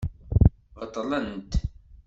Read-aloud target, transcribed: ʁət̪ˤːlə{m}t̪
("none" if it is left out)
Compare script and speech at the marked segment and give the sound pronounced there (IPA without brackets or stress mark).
n